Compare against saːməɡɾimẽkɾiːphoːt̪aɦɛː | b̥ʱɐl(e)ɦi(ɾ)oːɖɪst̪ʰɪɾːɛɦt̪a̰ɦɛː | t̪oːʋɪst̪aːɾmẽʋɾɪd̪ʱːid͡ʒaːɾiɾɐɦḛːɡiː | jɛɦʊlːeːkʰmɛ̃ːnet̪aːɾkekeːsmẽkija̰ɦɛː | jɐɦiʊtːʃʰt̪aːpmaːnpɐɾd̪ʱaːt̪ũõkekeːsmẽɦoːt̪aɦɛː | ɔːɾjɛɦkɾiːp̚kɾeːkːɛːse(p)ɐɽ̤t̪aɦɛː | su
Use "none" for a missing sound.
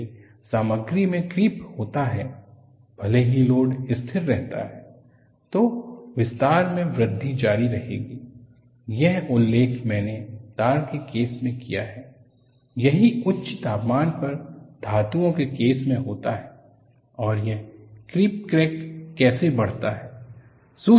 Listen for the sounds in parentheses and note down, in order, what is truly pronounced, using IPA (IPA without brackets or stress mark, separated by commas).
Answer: e, l, b